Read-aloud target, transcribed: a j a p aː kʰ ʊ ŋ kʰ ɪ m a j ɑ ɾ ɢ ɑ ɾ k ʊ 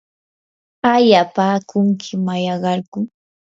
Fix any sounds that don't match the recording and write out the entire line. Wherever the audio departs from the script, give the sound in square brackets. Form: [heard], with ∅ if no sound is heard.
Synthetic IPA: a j a p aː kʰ ʊ ŋ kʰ ɪ m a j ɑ [∅] ɢ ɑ ɾ k ʊ

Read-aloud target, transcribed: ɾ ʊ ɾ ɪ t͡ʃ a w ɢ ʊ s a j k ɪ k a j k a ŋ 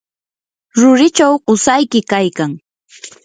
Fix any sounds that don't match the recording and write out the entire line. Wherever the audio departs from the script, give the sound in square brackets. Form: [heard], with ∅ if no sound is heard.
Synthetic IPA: ɾ ʊ ɾ ɪ t͡ʃ a w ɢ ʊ s a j k ɪ k a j k a ŋ

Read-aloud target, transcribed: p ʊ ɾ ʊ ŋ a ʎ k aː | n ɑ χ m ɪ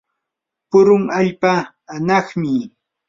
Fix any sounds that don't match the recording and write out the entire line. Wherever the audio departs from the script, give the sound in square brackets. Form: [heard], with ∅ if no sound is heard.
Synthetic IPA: p ʊ ɾ ʊ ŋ a ʎ [p] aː | n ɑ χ m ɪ

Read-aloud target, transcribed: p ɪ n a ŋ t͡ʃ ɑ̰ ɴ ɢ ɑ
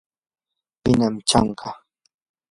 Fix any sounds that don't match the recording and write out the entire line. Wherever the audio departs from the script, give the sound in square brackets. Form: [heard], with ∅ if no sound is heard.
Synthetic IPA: p ɪ n a [m] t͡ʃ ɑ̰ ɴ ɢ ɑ

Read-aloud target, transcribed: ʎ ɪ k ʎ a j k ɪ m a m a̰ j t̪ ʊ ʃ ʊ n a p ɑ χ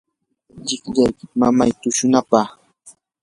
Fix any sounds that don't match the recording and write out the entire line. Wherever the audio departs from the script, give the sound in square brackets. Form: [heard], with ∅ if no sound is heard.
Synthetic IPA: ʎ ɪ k ʎ a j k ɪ m a m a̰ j t̪ ʊ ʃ ʊ n a p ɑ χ

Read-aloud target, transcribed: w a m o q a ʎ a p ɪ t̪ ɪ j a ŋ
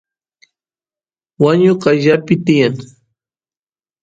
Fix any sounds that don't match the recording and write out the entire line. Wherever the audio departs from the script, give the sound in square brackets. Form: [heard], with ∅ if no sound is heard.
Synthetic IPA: w a [ɲ] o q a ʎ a p ɪ t̪ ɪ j a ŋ

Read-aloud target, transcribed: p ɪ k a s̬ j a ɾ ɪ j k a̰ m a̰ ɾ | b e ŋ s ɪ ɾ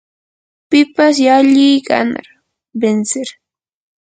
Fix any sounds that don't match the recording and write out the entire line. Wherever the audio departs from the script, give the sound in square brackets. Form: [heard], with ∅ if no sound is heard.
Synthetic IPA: p ɪ [p] a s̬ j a [ʎ] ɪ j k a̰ [n] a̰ ɾ | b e [n] s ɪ ɾ

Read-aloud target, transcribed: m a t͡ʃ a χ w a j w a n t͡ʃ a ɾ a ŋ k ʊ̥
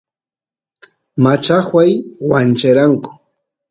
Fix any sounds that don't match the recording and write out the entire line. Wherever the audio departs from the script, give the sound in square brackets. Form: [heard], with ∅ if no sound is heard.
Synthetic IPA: m a t͡ʃ a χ w a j w a n t͡ʃ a ɾ a ŋ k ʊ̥

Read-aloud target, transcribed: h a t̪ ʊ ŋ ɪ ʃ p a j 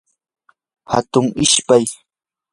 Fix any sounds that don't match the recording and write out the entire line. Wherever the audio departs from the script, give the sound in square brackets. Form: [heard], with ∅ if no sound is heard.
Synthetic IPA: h a t̪ ʊ ŋ ɪ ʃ p a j

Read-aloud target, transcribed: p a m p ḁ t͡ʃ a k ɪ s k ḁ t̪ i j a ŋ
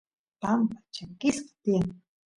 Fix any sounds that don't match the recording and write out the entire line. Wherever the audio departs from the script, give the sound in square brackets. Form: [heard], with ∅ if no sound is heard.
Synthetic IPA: p a m p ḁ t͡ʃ a k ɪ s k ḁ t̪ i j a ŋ

